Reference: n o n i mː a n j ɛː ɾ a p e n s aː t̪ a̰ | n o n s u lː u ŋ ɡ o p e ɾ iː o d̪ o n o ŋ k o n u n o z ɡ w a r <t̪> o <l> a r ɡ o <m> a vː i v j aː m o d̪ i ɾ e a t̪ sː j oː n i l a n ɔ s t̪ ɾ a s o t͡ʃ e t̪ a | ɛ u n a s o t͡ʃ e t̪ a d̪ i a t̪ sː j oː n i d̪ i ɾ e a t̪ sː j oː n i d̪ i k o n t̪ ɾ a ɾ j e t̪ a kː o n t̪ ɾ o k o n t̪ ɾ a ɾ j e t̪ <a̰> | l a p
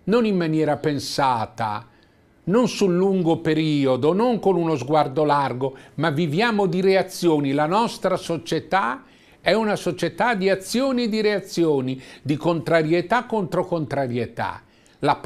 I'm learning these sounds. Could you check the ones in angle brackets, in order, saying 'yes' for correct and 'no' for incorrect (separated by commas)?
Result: no, yes, yes, yes